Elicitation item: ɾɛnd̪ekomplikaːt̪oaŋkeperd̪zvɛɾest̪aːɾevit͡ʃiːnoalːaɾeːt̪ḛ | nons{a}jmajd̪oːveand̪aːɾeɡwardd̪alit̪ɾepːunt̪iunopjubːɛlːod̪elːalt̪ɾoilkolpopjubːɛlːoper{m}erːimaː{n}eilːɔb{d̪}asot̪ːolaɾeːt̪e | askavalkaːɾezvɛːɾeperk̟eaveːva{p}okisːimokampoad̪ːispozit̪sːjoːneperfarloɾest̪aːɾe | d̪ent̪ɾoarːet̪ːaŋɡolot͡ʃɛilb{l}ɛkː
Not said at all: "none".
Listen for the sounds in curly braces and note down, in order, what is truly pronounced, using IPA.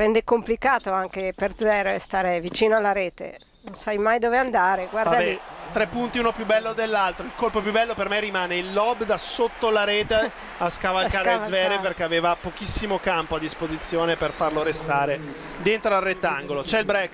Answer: a, m, n, d̪, p, ɾ

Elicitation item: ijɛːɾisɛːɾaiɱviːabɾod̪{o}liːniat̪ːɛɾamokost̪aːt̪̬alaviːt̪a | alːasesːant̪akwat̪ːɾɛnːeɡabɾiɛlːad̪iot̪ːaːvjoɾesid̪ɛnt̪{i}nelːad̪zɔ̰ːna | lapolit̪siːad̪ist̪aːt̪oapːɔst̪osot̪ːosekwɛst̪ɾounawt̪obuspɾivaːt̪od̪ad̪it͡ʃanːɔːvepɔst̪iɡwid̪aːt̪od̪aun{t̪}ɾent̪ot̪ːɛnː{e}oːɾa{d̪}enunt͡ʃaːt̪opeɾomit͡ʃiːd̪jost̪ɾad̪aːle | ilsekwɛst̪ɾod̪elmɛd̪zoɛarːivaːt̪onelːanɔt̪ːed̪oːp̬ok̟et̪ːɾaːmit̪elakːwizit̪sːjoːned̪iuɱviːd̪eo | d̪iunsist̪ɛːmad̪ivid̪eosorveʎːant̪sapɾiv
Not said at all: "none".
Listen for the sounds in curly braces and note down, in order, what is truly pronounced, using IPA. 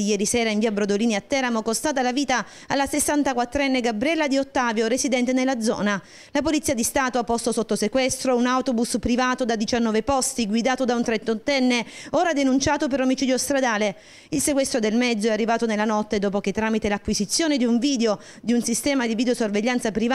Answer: o, e, t̪, e, d̪

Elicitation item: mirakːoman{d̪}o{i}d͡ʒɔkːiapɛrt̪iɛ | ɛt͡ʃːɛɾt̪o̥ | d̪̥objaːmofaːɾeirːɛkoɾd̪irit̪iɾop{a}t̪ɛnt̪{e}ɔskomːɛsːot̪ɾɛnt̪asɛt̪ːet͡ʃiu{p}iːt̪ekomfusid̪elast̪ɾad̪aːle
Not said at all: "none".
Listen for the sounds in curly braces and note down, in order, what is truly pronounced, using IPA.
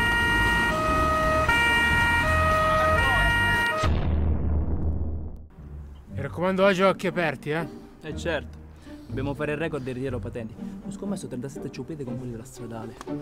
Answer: d̪, a, a, i, p

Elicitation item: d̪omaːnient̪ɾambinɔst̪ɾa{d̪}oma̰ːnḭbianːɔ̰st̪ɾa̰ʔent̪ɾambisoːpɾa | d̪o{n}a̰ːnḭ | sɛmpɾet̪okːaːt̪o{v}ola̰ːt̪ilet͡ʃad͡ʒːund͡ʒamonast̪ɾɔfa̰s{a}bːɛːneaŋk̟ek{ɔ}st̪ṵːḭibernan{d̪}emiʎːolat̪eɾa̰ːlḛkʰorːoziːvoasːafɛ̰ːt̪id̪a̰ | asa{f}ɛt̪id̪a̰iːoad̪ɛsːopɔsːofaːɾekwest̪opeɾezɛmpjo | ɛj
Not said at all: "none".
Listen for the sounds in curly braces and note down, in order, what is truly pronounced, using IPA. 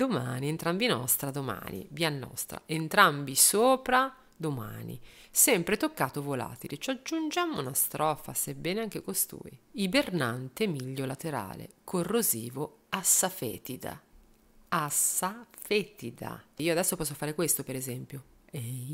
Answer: d̪, m, v, e, o, t̪, f

